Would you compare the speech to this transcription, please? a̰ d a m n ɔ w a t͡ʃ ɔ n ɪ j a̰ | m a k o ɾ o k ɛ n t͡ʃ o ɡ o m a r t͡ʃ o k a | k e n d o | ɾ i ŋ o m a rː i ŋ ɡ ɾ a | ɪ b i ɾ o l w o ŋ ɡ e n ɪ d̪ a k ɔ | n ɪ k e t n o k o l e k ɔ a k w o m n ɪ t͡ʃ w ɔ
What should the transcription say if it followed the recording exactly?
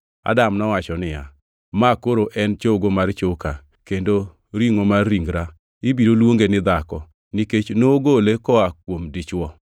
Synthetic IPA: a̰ d a m n ɔ w a t͡ʃ ɔ n ɪ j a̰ | m a k o ɾ o ʔ ɛ n t͡ʃ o ɡ o m a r t͡ʃ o k a | k e n d o | ɾ i ŋ o m a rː i ŋ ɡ ɾ a | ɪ b i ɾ o l w o ŋ ɡ e n ɪ d̪ a k ɔ | n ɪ k e t͡ʃ n o ɡ o l e k ɔ a k w o m d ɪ t͡ʃ w ɔ